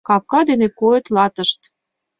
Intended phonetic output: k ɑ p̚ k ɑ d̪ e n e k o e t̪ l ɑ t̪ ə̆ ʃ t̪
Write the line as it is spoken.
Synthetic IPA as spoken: k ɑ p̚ k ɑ d̪ e n e k o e t̪ l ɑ t̪ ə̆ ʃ t̪